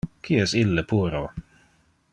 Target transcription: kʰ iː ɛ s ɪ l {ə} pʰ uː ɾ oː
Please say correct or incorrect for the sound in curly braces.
correct